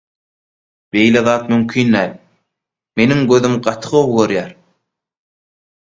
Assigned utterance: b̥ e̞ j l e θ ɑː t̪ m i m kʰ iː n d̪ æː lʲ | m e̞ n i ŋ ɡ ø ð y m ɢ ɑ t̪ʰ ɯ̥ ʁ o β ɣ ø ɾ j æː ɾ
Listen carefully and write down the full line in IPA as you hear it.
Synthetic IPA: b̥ e̞ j l e ð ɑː t̪ m y m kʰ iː n d̪ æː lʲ | m e̞ n i ŋ ɡ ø ð y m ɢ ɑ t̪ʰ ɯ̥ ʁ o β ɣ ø ɾ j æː ɾ